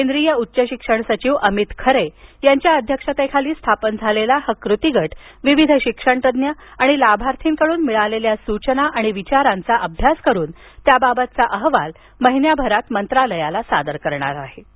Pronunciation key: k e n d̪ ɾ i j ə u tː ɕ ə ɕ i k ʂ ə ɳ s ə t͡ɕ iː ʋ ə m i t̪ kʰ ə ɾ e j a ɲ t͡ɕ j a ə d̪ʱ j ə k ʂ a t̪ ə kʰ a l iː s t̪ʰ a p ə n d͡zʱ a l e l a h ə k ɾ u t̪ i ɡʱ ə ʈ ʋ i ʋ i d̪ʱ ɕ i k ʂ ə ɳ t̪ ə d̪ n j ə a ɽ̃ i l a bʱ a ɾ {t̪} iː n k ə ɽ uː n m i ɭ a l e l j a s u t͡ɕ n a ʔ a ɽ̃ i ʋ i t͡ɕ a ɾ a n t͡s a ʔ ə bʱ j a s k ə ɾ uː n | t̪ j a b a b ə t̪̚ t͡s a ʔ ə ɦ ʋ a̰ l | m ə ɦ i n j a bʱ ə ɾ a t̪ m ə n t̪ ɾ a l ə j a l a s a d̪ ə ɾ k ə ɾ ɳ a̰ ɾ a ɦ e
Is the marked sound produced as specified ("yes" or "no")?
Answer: no